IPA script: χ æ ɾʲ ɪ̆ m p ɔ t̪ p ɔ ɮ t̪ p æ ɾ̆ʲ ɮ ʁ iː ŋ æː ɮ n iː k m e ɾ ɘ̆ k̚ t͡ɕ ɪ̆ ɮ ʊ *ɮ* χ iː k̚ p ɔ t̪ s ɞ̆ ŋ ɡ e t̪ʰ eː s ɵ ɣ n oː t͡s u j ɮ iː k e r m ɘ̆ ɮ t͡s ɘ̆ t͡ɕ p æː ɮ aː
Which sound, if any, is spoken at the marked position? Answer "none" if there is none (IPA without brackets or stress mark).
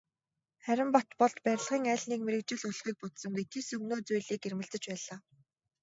ɮ